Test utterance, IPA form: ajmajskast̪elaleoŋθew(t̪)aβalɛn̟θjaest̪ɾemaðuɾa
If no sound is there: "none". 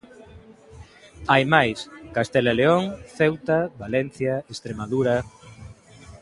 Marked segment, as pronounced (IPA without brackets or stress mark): t̪